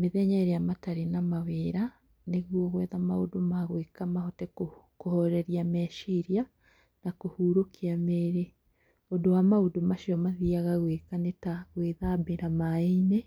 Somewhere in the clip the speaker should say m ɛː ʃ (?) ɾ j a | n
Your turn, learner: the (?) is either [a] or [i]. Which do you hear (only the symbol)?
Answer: i